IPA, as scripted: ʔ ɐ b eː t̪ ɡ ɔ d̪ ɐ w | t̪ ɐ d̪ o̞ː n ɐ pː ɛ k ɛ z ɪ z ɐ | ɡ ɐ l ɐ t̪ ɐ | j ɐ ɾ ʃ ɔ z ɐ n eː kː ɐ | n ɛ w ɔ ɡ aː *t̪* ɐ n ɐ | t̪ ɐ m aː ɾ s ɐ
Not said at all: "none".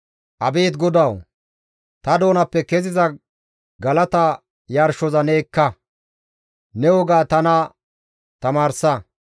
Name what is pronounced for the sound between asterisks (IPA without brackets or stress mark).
t̪